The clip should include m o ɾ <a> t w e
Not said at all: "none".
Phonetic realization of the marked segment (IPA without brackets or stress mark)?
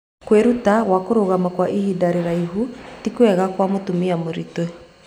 i